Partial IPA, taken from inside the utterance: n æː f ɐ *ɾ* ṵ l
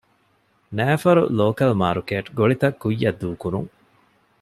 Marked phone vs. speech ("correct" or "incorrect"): correct